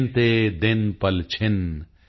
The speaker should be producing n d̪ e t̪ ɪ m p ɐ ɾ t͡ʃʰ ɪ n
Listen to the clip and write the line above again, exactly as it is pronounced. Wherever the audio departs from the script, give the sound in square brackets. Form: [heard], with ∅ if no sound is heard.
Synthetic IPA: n [t̪] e [d̪] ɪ [n] p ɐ [l] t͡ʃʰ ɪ n